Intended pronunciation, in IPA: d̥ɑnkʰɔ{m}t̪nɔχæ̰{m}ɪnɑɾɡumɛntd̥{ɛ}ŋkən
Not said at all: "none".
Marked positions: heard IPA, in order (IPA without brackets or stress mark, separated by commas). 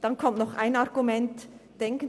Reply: m, none, ɛ